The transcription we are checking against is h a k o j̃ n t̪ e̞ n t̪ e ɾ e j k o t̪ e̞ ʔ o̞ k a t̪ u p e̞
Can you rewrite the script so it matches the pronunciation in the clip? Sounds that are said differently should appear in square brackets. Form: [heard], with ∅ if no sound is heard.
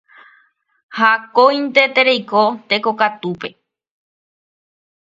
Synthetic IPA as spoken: h a k o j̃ n t̪ e̞ [∅] t̪ e ɾ e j k o t̪ e̞ [k] o̞ k a t̪ u p e̞